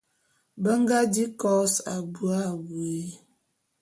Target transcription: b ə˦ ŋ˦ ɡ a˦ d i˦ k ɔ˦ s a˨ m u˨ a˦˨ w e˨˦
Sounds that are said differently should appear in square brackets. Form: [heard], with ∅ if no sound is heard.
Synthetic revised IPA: b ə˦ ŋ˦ ɡ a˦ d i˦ k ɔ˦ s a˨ [b] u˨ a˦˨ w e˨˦